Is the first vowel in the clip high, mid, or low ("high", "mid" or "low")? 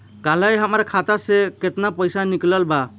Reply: low